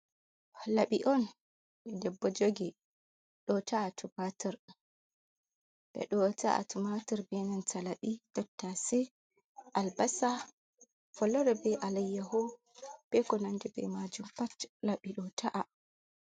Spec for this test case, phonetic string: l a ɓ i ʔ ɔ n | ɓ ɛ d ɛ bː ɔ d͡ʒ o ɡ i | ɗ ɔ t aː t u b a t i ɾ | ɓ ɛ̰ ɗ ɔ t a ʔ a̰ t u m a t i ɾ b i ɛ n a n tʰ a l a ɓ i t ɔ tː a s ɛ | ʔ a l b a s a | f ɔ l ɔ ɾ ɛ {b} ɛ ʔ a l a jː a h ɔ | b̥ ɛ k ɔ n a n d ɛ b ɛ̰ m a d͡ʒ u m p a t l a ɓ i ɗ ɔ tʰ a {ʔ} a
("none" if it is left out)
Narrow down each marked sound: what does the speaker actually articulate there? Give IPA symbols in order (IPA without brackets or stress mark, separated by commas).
b, ʔ